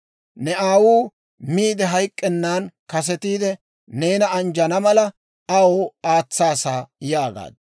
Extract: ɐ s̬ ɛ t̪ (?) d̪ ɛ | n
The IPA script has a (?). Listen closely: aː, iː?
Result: iː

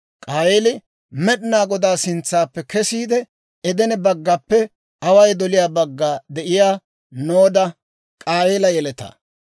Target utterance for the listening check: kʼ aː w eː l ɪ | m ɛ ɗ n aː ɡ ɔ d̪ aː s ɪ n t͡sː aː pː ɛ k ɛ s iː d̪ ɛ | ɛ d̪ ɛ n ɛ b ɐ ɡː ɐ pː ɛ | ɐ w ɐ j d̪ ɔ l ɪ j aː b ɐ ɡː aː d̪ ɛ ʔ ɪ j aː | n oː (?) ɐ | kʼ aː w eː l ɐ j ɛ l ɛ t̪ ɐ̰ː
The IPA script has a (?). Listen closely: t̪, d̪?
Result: d̪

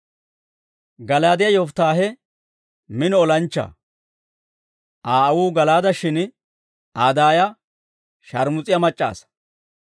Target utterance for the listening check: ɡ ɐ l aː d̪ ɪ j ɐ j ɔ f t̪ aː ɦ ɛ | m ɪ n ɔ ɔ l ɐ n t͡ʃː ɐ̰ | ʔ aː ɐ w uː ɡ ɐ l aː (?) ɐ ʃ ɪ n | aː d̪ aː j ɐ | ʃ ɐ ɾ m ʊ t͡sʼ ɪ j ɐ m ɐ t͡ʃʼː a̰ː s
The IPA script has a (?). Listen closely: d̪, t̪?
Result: d̪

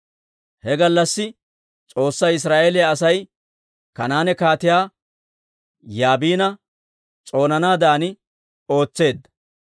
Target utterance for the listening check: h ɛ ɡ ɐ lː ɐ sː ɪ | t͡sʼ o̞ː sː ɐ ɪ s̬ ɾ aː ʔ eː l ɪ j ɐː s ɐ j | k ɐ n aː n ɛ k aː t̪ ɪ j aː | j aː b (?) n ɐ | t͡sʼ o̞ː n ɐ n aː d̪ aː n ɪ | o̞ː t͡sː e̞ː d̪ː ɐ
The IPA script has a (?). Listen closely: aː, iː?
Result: iː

